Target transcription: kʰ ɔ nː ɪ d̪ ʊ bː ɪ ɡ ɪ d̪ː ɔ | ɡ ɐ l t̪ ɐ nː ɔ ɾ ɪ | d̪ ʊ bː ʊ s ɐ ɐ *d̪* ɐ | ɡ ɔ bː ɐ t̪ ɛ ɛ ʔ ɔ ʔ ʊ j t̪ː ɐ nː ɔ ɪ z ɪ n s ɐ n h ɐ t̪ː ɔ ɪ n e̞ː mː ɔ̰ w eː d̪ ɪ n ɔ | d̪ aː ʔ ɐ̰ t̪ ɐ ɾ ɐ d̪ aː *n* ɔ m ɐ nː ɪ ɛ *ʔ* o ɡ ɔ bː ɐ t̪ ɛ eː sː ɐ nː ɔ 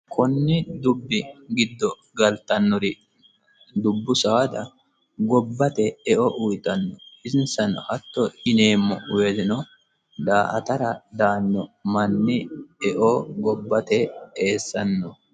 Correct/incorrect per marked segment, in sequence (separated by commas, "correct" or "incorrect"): correct, incorrect, correct